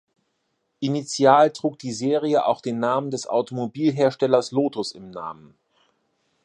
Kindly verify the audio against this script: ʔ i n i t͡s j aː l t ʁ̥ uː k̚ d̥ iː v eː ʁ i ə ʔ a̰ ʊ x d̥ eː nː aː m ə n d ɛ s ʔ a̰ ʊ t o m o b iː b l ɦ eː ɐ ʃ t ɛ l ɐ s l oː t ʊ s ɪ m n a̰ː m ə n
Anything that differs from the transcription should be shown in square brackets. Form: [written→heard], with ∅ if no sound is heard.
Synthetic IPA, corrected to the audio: ʔ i n i t͡s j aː l t ʁ̥ uː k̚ d̥ iː [v→z] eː ʁ i ə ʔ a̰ ʊ x d̥ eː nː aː m ə n d ɛ s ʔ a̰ ʊ t o m o b iː [b→∅] l ɦ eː ɐ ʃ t ɛ l ɐ s l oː t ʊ s ɪ m n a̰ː m ə n